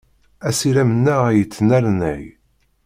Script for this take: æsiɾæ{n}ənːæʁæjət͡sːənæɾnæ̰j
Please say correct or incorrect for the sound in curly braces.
incorrect